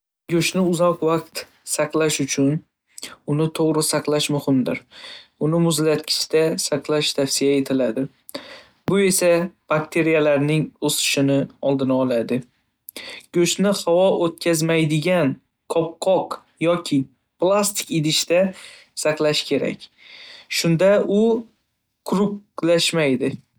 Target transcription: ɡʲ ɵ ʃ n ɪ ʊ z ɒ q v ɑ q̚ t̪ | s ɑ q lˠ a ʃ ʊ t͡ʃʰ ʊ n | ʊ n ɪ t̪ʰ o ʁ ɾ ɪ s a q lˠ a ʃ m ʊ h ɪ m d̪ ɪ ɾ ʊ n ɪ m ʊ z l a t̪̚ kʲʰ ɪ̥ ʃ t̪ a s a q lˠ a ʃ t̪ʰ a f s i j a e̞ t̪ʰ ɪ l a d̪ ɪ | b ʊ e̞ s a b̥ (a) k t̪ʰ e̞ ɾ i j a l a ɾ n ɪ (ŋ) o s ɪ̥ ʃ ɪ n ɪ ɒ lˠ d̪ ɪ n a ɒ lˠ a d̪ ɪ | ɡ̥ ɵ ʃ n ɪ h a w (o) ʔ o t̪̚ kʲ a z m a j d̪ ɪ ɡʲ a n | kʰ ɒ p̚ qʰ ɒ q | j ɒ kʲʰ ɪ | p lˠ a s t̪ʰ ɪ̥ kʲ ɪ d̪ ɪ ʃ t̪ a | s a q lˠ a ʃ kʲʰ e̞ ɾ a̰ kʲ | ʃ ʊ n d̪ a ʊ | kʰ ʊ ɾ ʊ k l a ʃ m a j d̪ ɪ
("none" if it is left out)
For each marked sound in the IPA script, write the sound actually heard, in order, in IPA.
a, ŋ, ɒ

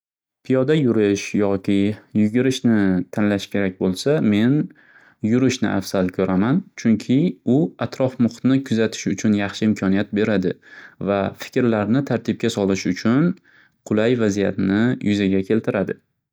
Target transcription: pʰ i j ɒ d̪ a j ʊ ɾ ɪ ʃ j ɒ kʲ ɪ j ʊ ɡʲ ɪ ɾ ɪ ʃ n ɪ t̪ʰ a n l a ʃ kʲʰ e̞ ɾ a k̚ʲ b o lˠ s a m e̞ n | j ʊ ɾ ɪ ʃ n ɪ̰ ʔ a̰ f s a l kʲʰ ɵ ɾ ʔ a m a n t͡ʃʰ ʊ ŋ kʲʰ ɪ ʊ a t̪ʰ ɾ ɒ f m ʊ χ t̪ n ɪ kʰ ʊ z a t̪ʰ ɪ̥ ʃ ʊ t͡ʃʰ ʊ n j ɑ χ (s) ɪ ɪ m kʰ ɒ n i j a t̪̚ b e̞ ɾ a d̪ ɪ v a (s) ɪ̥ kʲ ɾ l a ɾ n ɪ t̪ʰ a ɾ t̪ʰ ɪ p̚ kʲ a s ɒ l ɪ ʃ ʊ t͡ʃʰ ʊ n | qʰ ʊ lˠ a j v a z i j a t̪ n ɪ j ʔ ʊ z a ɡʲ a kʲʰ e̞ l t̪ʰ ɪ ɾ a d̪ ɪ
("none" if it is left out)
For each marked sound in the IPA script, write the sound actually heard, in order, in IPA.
ʃ, f

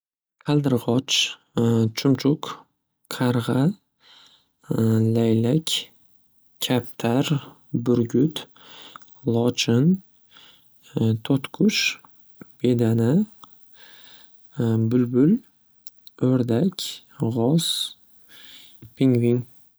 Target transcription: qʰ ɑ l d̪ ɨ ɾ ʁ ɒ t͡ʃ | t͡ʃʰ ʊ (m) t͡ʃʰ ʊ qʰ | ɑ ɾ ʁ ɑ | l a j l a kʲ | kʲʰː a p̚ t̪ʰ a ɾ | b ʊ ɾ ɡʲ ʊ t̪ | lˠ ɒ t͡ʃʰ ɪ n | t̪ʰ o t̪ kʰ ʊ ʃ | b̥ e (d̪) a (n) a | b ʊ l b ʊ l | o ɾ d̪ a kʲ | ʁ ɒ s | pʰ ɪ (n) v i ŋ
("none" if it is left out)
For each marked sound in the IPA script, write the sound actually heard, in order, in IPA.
m, d̪, n, ŋ

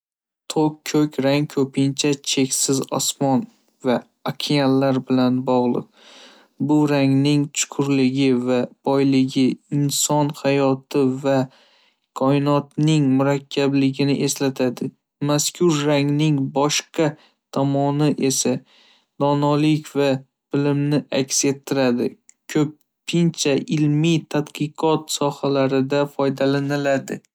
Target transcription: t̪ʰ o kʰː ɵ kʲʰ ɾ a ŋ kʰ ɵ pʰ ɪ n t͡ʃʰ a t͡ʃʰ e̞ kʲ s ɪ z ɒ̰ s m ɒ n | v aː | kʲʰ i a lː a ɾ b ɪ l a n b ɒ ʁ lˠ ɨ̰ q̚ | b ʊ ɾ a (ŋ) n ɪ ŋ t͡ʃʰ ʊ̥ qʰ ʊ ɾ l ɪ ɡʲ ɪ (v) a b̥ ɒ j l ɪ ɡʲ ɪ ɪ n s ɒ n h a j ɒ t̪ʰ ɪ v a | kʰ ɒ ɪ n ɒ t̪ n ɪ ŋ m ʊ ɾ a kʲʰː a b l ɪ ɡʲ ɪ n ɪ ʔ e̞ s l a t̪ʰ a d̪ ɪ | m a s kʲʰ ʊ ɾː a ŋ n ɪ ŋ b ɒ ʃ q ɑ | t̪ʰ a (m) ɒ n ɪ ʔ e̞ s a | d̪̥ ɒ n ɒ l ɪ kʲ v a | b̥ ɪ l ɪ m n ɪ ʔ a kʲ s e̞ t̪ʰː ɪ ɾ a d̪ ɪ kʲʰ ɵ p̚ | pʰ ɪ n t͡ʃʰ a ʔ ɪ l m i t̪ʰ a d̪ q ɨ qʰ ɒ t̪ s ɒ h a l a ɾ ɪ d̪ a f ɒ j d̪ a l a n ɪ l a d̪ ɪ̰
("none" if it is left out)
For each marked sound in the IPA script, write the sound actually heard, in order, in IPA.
ŋ, v, m

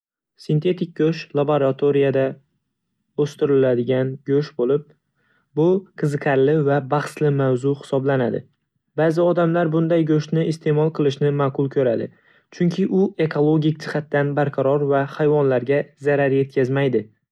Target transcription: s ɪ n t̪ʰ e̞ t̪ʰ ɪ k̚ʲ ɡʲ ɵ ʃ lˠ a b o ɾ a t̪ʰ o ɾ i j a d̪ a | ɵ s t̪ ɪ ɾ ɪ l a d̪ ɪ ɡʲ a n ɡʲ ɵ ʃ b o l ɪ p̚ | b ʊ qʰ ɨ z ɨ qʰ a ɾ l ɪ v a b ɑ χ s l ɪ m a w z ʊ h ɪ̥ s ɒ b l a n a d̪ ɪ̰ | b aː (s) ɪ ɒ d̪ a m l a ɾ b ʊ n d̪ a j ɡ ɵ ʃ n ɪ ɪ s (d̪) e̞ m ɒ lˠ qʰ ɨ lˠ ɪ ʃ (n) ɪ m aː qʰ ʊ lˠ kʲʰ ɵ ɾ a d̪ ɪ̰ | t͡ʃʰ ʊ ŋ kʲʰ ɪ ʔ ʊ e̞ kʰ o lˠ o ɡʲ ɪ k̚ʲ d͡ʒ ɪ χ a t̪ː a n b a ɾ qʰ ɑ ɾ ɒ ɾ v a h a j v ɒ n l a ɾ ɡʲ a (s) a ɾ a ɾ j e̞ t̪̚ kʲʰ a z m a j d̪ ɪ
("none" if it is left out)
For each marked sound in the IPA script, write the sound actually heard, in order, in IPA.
z, t̪, n, z

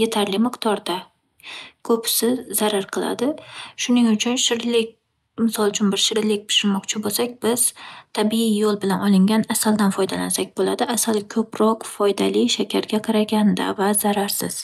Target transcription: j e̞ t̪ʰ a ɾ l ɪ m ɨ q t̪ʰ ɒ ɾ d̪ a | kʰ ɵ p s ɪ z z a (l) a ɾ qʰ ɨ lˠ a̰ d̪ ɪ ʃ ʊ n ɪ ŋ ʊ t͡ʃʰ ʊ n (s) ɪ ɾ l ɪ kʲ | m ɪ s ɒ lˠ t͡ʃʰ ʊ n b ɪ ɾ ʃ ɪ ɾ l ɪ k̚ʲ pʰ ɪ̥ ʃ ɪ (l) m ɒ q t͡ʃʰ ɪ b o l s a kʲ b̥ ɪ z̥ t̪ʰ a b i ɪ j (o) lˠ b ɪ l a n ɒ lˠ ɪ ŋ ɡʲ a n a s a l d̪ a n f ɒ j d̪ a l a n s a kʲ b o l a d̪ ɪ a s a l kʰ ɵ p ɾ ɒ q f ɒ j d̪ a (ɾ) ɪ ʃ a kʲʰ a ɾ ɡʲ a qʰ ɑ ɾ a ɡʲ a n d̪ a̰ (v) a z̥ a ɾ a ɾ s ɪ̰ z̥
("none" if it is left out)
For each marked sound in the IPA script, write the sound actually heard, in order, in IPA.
ɾ, ʃ, ɾ, o, l, v

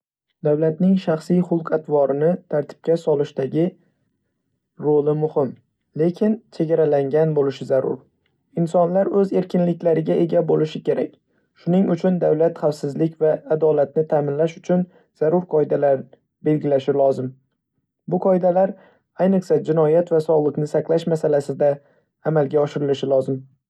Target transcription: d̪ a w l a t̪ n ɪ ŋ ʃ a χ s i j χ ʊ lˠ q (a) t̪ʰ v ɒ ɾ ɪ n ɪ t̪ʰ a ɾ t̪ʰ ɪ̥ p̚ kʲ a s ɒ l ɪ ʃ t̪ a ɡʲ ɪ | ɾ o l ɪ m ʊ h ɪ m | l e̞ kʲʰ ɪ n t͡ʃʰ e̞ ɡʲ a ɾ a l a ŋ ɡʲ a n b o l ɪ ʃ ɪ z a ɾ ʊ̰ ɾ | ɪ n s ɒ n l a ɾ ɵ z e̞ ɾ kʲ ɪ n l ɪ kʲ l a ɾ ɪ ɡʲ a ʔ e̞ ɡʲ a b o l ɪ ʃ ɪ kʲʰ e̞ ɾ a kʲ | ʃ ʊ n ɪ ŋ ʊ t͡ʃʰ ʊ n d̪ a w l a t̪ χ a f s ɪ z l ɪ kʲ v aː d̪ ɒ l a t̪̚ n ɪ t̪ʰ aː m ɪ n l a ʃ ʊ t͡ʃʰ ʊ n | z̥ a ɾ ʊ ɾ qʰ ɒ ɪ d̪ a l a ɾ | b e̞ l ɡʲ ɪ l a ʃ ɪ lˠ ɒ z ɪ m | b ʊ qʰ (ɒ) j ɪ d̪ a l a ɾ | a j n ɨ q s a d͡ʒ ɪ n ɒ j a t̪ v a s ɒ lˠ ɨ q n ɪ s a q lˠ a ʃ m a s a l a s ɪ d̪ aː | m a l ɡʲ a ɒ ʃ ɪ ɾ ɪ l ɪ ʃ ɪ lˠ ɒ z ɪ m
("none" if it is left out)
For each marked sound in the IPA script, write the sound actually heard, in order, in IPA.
a, ɒ

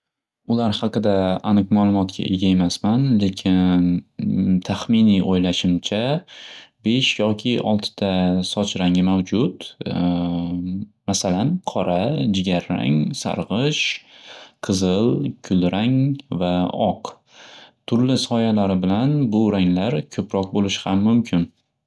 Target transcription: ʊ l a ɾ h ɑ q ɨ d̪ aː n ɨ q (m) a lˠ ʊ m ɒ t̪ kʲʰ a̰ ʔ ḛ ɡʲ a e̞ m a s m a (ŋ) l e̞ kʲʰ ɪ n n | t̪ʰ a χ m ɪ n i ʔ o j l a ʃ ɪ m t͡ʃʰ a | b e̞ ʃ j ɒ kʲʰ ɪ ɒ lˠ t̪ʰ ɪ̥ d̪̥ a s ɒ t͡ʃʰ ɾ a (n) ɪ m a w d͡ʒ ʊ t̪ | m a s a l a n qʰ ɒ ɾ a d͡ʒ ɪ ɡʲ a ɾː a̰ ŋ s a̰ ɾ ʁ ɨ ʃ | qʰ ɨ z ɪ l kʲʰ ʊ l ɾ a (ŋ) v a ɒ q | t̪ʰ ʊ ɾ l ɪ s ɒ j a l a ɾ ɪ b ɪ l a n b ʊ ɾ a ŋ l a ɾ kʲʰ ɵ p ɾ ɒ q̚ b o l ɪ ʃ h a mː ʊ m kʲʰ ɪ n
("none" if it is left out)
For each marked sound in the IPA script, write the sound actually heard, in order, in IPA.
m, n, ŋ, ŋ

